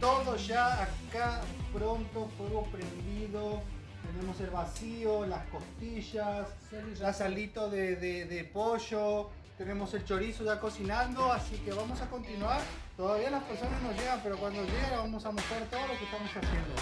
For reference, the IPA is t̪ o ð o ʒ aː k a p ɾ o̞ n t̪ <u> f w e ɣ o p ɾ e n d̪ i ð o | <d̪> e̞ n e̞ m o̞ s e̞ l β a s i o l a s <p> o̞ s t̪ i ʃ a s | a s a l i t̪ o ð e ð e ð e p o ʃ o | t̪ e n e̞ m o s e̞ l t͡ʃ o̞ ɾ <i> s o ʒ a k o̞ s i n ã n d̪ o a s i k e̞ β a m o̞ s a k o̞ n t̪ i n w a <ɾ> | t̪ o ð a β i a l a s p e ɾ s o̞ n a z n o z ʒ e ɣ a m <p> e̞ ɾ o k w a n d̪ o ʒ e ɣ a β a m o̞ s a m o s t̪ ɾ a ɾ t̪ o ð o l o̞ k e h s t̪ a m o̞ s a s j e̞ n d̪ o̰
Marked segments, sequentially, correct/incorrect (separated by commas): incorrect, incorrect, incorrect, correct, correct, correct